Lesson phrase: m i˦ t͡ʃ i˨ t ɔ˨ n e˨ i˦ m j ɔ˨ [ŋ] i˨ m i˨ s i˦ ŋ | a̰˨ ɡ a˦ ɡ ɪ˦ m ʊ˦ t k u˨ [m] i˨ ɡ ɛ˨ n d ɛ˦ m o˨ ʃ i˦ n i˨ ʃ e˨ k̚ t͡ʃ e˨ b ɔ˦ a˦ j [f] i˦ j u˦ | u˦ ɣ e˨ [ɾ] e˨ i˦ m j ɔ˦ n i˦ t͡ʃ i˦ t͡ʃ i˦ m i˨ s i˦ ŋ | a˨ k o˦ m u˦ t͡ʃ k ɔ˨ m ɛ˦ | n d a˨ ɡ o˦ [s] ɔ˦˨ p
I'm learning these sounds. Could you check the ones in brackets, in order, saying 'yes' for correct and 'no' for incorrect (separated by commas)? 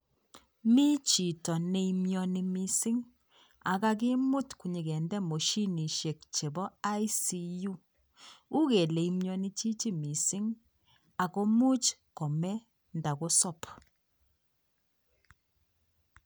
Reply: no, no, no, no, yes